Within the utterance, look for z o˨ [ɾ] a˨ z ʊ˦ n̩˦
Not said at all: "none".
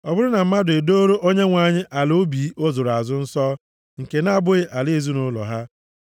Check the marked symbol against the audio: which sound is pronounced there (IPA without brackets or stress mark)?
ɾ